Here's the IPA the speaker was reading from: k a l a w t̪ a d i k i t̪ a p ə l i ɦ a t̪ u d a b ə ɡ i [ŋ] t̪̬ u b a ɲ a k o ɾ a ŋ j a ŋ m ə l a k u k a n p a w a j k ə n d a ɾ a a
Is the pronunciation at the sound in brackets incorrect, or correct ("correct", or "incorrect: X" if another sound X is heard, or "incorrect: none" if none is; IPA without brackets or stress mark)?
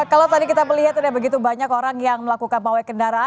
incorrect: none